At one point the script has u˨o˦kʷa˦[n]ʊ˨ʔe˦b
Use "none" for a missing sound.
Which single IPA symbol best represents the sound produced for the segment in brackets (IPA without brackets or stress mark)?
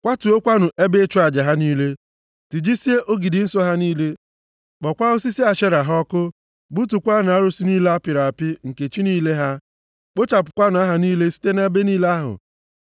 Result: n